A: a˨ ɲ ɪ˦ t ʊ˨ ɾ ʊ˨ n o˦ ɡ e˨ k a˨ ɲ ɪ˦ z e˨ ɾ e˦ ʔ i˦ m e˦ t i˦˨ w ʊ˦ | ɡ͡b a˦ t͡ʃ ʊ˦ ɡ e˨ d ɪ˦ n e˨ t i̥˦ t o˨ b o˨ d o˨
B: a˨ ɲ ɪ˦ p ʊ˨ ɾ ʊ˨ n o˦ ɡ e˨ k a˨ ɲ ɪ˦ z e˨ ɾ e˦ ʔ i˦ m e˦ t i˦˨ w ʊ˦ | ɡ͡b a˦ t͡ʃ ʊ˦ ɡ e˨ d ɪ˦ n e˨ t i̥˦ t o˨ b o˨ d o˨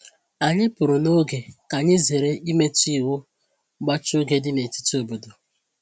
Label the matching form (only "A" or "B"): B